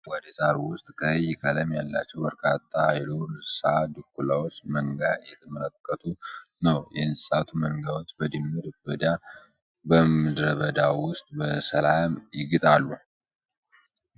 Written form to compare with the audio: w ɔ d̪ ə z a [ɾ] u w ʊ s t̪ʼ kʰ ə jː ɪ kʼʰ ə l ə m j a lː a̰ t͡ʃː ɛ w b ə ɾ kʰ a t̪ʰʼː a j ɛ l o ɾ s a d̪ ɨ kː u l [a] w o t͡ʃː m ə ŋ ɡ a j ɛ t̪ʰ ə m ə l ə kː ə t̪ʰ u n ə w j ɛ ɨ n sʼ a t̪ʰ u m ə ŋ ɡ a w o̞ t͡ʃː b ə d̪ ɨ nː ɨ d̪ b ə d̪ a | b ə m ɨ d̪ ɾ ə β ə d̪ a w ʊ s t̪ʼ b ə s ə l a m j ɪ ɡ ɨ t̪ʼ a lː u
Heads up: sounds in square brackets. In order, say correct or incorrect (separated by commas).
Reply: correct, correct